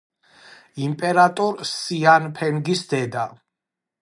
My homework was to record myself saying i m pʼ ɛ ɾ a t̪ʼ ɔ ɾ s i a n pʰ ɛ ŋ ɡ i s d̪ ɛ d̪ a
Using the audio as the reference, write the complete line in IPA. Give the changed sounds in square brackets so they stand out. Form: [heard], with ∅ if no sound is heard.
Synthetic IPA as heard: i m pʼ ɛ ɾ a t̪ʼ ɔ ɾ s i a n pʰ ɛ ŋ ɡ i s d̪ ɛ d̪ a